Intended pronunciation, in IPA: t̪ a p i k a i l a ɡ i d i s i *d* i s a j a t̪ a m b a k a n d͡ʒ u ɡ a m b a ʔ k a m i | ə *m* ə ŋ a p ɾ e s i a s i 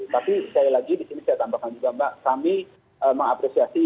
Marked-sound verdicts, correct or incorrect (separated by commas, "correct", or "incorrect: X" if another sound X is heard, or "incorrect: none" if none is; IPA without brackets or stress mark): incorrect: n, correct